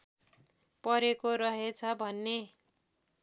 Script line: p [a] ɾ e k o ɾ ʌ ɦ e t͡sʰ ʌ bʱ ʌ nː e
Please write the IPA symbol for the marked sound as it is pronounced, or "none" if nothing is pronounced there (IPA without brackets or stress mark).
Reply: ʌ